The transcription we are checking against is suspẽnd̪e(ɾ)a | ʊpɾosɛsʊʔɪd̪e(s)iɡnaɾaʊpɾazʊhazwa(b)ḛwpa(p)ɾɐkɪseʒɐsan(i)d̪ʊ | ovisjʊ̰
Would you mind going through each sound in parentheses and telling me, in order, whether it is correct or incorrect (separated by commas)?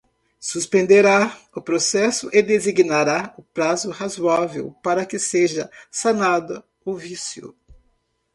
correct, incorrect, incorrect, incorrect, incorrect